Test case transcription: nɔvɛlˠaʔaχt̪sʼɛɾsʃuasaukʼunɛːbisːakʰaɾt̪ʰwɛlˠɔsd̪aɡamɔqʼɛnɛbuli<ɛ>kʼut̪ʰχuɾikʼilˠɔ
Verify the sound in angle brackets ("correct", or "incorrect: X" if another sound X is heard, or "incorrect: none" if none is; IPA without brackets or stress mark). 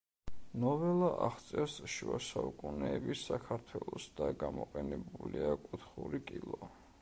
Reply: incorrect: a